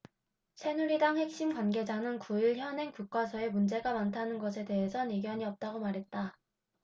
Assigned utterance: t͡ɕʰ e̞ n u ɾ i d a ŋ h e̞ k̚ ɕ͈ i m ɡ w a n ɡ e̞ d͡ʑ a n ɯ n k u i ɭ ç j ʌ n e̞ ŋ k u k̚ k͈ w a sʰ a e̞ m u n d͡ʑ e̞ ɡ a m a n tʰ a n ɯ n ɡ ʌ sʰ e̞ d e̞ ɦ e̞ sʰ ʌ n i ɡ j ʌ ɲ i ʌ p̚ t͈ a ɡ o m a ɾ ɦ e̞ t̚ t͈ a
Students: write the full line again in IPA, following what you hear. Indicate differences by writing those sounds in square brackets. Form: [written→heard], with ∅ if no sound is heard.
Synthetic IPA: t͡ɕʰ e̞ n u ɾ i d a ŋ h e̞ k̚ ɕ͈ i m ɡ w a n ɡ e̞ d͡ʑ a n ɯ n k u i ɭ ç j ʌ n e̞ ŋ k u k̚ k͈ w a sʰ [a→ʌ] e̞ m u n d͡ʑ e̞ ɡ a m a n tʰ a n ɯ n ɡ ʌ sʰ e̞ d e̞ ɦ e̞ sʰ ʌ n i ɡ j ʌ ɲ i ʌ p̚ t͈ a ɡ o m a ɾ ɦ e̞ t̚ t͈ a